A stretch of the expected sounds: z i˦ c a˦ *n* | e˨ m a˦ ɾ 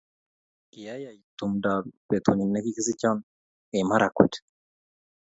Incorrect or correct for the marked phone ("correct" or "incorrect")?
correct